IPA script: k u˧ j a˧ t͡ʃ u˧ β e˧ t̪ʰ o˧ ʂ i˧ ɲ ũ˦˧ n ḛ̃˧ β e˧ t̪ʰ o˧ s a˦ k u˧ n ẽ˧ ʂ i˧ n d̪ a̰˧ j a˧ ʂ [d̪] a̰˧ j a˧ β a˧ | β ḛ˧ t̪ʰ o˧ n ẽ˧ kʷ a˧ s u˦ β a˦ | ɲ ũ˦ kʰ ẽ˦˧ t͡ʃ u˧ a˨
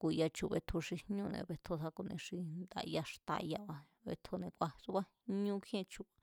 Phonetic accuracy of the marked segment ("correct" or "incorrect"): incorrect